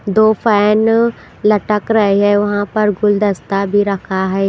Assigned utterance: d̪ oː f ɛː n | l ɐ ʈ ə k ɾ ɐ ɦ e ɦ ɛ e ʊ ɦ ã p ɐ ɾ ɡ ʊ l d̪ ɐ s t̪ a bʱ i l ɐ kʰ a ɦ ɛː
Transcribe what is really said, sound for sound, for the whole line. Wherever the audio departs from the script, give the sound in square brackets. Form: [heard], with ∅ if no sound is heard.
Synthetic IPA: d̪ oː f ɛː n | l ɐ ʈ ə k ɾ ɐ ɦ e ɦ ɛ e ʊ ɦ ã p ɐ ɾ ɡ ʊ l d̪ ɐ s t̪ a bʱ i [ɾ] ɐ kʰ a ɦ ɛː